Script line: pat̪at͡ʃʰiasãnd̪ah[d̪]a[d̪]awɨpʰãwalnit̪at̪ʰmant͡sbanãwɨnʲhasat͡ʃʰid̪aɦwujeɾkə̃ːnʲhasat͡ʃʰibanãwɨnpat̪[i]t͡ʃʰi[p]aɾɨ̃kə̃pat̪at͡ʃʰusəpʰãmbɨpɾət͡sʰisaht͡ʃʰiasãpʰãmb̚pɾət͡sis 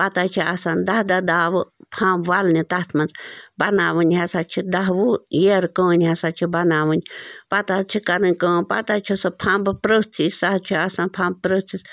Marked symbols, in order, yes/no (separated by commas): yes, yes, no, no